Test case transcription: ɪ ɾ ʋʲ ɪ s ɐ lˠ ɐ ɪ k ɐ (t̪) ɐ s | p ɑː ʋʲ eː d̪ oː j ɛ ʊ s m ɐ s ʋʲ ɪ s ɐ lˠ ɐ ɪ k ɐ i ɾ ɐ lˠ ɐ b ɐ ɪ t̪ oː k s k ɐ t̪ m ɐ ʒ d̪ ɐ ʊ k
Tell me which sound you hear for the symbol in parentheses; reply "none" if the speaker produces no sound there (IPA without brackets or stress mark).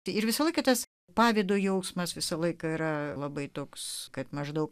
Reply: t̪